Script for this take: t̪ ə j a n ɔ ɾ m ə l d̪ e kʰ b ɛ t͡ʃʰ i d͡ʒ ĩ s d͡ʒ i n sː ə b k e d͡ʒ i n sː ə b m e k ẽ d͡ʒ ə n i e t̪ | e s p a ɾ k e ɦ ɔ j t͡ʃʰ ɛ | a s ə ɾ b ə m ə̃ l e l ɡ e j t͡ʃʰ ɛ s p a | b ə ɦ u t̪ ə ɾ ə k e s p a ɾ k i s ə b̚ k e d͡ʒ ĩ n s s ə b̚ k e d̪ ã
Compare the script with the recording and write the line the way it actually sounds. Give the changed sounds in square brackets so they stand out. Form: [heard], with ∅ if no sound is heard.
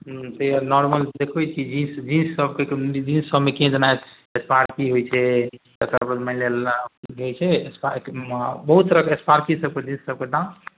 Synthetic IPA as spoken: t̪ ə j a n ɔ ɾ m ə l d̪ e kʰ b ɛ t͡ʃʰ i d͡ʒ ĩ s d͡ʒ i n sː ə b k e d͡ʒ i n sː ə b m e k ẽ d͡ʒ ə n [a] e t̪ | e s p a ɾ k [i] ɦ [o] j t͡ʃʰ ɛ | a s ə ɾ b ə m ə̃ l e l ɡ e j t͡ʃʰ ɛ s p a | b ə ɦ u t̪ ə ɾ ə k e s p a ɾ k i s ə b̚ k e d͡ʒ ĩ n s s ə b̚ k e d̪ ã